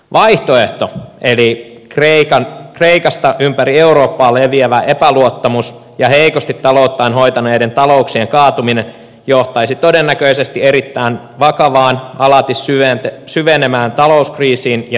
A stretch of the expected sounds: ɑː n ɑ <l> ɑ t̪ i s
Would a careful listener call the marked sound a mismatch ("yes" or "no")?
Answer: no